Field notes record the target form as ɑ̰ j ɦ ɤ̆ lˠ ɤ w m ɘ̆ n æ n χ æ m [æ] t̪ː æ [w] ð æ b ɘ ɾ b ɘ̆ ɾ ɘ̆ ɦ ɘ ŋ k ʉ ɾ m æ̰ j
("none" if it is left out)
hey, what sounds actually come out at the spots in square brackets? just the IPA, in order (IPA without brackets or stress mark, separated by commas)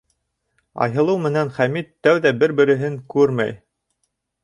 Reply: i, w